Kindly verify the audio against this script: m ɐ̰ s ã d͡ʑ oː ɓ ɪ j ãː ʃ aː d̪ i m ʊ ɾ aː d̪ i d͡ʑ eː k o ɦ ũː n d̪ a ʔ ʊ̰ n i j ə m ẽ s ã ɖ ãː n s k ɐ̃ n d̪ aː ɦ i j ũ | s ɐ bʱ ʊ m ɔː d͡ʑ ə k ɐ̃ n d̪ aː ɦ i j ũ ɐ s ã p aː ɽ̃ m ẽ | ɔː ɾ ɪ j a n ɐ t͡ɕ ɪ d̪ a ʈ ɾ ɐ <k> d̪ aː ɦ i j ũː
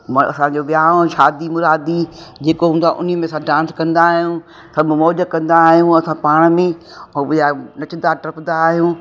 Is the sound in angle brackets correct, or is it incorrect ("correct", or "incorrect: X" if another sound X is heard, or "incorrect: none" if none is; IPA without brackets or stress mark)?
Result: incorrect: p